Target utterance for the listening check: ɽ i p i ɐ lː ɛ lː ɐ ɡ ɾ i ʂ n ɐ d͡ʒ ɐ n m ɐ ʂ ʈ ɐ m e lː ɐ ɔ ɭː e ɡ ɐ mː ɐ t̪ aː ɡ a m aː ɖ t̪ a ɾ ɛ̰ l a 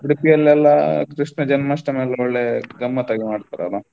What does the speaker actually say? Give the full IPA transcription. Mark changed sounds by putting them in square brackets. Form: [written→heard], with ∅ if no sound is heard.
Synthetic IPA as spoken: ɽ i p i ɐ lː ɛ lː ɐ [ɡ→k] ɾ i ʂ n ɐ d͡ʒ ɐ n m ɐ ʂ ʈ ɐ m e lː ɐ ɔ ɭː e ɡ ɐ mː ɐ t̪ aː ɡ [a→i] m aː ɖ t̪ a ɾ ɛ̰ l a